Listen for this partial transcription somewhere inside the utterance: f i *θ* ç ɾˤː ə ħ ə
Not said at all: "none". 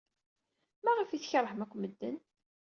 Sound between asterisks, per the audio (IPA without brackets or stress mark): θ